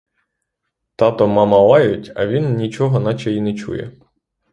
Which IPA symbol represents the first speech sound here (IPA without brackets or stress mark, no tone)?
t̪